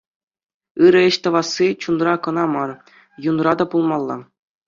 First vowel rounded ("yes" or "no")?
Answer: no